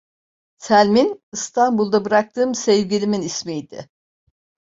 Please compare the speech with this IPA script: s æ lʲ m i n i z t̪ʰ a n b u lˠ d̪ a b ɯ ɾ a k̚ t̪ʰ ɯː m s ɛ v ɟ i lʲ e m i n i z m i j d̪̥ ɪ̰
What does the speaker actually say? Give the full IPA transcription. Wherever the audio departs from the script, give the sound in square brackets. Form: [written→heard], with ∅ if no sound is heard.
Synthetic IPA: s æ lʲ m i n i [z→s] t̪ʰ a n b u lˠ d̪ a b ɯ ɾ a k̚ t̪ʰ ɯː m s ɛ v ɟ i lʲ [e→i] m i n i [z→s] m i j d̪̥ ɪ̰